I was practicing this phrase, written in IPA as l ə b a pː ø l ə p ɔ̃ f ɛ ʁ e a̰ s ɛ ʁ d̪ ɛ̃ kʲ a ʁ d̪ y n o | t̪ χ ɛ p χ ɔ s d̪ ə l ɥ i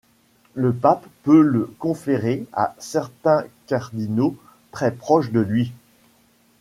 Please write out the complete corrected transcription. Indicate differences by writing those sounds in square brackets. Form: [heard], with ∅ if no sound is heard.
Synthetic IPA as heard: l ə [p] a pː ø l ə [k] ɔ̃ f [e] ʁ e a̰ s ɛ ʁ [t̪] ɛ̃ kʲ a ʁ d̪ [i] n o | t̪ χ ɛ p χ ɔ [ʃ] d̪ ə l ɥ i